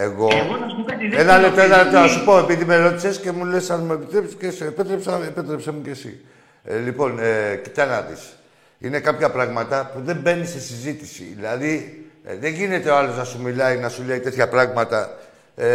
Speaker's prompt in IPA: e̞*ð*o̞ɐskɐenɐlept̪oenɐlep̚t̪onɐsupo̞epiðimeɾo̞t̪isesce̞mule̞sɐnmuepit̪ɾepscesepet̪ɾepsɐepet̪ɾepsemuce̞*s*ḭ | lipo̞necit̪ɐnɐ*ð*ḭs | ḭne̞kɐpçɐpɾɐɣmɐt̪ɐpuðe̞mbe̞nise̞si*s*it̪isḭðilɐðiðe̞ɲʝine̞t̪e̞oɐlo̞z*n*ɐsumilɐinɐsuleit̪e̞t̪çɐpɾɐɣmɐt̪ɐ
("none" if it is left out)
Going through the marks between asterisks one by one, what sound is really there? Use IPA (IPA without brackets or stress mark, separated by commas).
ɣ, s, ð, z, n